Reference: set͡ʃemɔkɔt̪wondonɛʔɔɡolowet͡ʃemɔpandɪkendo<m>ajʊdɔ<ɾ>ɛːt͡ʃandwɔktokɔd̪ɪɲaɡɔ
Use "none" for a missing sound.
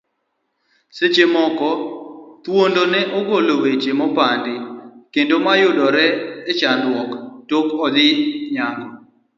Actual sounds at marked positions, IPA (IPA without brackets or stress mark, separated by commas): m, ɾ